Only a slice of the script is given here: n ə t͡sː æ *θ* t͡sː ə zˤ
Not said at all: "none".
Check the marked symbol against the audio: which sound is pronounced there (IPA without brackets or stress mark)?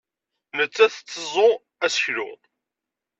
θ